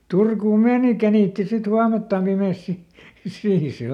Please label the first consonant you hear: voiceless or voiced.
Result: voiceless